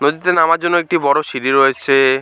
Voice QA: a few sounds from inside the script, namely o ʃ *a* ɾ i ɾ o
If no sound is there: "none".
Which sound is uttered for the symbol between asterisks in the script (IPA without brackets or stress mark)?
i